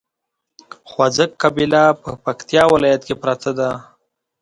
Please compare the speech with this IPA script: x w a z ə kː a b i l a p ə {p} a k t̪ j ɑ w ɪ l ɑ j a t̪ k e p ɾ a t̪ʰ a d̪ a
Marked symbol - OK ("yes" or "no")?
yes